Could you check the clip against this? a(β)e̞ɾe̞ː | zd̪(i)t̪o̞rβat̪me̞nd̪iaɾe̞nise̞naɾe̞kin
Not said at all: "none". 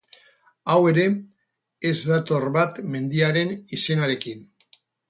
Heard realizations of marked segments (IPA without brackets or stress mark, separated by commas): w, a